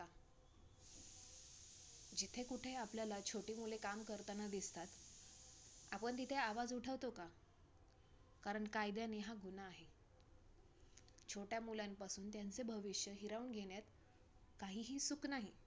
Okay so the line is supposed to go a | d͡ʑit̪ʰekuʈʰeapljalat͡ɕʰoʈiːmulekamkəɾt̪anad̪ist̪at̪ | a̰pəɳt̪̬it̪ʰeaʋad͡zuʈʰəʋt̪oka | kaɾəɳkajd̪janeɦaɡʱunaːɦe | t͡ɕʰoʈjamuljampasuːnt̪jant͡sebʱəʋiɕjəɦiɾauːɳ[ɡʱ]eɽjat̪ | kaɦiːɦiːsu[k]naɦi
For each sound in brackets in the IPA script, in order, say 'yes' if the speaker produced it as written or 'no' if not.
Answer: yes, yes

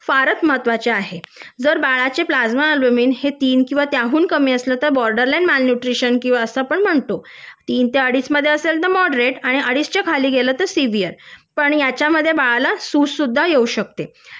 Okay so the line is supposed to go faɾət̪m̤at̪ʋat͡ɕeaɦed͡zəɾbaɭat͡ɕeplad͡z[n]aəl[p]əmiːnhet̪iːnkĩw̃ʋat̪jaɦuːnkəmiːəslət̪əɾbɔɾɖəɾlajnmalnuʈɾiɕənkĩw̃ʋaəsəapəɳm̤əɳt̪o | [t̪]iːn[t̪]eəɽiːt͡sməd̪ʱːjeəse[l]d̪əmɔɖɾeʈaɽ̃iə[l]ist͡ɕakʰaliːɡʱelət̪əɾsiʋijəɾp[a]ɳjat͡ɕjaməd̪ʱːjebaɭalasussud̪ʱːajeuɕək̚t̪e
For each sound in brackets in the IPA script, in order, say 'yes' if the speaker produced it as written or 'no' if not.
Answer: no, no, yes, yes, yes, no, no

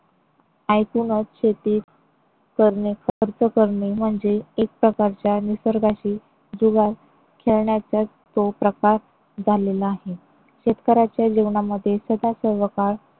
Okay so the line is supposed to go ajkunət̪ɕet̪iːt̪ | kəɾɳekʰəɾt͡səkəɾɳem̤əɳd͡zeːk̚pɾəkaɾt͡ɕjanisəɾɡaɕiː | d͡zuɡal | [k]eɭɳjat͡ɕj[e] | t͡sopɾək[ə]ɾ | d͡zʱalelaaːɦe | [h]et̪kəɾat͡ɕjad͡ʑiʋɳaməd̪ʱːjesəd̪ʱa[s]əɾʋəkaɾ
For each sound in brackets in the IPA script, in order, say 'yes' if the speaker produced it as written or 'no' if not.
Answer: no, no, no, no, yes

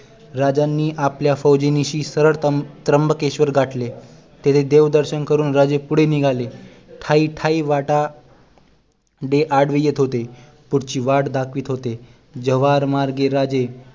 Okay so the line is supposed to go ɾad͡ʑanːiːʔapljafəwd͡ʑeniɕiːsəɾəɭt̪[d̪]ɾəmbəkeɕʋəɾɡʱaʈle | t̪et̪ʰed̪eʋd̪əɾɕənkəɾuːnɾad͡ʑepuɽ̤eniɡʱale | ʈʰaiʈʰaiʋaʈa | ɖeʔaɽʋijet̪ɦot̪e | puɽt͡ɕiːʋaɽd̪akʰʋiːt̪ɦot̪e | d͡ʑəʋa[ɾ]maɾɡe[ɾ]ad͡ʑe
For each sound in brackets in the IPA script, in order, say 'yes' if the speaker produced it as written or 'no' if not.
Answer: no, yes, yes

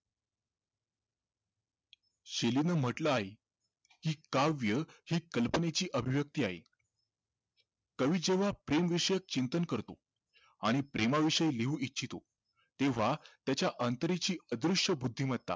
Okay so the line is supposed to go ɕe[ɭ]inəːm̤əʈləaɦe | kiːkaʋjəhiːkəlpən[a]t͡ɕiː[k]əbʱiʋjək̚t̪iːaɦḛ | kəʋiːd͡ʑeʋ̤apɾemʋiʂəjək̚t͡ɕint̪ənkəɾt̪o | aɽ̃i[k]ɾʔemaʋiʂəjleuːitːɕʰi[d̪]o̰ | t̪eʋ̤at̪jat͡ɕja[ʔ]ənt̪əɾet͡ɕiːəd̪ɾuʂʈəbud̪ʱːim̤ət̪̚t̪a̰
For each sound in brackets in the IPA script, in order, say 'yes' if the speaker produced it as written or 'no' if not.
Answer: no, no, no, no, no, yes

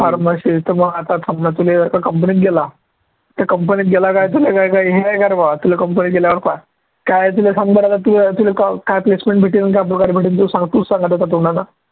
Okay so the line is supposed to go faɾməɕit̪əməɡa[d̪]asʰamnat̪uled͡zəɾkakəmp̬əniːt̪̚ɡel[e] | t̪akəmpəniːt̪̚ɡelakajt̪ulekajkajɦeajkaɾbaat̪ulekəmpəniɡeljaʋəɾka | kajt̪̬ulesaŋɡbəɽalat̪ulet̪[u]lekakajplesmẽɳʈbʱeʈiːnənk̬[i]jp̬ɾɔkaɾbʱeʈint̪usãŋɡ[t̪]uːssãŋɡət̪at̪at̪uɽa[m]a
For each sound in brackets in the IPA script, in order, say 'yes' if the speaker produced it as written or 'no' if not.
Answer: no, no, yes, no, yes, no

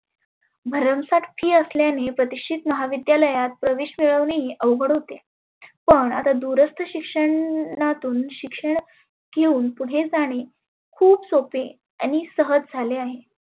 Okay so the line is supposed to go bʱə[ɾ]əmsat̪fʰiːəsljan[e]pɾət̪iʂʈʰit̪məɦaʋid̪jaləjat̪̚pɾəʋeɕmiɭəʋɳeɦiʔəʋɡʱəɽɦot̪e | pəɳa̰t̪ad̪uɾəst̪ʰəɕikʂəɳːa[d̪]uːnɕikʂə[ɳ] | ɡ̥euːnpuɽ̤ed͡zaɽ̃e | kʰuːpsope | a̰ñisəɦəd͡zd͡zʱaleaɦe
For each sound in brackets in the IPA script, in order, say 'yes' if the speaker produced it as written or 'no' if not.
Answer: yes, yes, no, yes

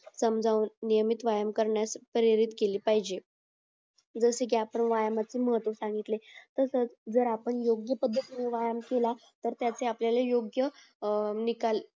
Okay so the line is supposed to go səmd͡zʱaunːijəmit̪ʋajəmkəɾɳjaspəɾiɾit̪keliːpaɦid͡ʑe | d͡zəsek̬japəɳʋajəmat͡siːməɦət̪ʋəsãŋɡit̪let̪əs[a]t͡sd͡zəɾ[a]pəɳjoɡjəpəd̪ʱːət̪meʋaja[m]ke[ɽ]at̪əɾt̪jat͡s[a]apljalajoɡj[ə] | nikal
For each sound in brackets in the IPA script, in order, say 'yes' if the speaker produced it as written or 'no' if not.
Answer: no, yes, yes, no, no, yes

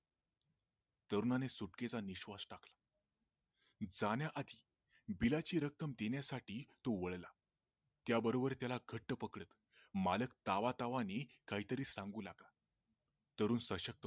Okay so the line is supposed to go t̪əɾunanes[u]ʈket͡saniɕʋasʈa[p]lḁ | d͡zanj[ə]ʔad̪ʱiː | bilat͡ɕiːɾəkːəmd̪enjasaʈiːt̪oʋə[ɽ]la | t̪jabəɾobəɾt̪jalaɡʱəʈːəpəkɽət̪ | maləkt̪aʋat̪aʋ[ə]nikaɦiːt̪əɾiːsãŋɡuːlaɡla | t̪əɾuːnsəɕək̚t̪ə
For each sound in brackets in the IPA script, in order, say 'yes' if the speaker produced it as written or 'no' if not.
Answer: yes, no, no, no, no

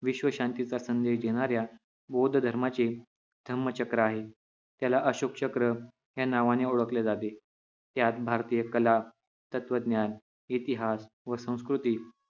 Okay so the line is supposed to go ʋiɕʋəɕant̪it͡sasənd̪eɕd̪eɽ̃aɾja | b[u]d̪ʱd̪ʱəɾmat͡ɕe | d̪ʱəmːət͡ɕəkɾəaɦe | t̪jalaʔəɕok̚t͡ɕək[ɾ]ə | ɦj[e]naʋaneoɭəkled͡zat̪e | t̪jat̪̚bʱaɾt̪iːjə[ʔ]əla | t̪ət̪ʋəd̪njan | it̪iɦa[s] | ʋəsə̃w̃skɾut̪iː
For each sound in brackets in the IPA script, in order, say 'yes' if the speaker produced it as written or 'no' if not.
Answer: no, yes, no, no, yes

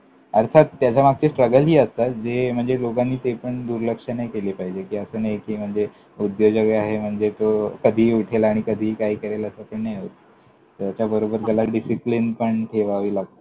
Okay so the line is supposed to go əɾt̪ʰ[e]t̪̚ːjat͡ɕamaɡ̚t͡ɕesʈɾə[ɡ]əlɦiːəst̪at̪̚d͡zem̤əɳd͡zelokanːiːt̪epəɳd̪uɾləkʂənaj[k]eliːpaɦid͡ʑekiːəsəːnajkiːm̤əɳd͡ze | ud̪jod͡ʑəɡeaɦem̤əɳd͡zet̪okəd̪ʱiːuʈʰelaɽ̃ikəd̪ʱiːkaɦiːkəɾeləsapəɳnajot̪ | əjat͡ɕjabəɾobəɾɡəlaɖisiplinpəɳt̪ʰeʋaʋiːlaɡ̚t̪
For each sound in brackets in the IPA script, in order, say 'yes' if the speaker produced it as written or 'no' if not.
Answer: no, yes, yes

